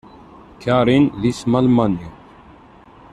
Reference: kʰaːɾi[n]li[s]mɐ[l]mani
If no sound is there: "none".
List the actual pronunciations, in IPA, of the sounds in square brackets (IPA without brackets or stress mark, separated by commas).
n, s, l